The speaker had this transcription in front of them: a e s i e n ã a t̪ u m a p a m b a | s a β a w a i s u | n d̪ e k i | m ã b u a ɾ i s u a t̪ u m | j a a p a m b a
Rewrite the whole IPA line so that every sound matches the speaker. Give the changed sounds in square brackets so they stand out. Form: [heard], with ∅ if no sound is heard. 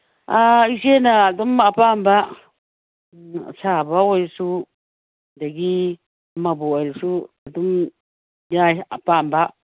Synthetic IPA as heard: a [i] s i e n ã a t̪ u m a p a m b a | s a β a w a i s u | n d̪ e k i | m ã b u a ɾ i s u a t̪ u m | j a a p a m b a